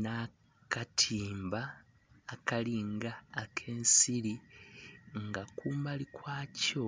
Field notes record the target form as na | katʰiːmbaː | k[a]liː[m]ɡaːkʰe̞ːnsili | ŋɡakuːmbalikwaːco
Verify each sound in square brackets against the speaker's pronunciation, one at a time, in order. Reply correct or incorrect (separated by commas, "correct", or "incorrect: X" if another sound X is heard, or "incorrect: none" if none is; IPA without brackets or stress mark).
correct, incorrect: ŋ